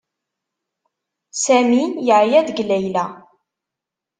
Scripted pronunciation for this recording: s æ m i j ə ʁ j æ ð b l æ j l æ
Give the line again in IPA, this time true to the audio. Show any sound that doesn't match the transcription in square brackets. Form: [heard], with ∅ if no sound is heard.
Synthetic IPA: s æ m i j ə [ʕ] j æ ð [ɡ] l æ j l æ